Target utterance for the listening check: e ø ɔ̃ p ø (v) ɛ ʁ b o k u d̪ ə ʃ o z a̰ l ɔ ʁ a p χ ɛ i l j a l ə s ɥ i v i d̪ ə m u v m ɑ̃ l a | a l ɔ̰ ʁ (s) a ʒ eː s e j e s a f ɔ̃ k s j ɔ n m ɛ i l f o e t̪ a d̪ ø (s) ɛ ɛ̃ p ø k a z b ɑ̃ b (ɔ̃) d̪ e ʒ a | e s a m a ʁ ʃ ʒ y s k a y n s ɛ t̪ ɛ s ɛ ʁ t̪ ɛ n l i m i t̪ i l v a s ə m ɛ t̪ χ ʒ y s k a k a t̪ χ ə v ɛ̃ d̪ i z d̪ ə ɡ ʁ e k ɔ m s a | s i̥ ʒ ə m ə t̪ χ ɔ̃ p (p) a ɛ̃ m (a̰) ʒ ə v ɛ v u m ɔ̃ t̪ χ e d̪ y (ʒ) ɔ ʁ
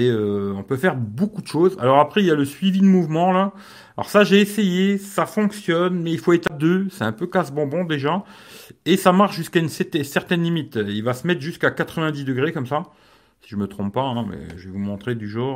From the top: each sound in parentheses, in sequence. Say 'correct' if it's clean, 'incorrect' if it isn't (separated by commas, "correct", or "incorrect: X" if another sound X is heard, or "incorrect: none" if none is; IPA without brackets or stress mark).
incorrect: f, correct, correct, correct, correct, incorrect: ɛ̰, correct